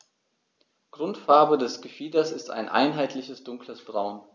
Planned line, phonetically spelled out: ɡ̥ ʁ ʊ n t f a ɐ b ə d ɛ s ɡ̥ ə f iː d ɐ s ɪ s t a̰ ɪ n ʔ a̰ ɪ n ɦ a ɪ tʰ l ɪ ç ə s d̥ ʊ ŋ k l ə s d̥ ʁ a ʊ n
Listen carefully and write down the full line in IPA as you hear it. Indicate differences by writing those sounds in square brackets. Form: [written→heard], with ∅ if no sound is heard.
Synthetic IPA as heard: ɡ̥ ʁ ʊ n t f a ɐ b ə d ɛ s ɡ̥ ə f iː d ɐ s ɪ s t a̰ ɪ n ʔ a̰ ɪ n ɦ a ɪ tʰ l ɪ ç ə s d̥ ʊ ŋ k l ə s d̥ ʁ a ʊ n